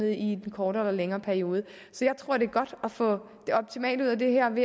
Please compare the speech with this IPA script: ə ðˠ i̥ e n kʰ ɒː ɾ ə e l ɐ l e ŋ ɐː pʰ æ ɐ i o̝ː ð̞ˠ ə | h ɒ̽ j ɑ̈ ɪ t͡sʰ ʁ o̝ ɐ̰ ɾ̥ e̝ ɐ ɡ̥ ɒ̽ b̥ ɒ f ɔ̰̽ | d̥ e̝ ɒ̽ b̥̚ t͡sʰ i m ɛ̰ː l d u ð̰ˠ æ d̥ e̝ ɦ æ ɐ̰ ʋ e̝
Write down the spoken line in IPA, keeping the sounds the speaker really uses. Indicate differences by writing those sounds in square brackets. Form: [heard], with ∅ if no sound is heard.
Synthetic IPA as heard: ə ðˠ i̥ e n kʰ ɒː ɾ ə e l ɐ l e ŋ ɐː pʰ æ ɐ i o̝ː ð̞ˠ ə | [s] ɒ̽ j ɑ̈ ɪ t͡sʰ ʁ o̝ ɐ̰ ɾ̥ e̝ ɐ ɡ̥ ɒ̽ [d̥] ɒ f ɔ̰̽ | d̥ e̝ ɒ̽ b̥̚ t͡sʰ i m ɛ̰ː l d u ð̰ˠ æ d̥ e̝ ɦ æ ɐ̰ ʋ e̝